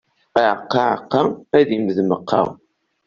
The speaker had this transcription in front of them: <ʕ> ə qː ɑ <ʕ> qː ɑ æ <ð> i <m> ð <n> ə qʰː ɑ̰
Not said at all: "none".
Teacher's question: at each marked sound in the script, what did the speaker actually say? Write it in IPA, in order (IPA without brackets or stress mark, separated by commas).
ʕ, ʕ, ð, m, m